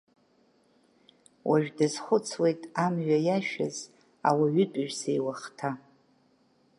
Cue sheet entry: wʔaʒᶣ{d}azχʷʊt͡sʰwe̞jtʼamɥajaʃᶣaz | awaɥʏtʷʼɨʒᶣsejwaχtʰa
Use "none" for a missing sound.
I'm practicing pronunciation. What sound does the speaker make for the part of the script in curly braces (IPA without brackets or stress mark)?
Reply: d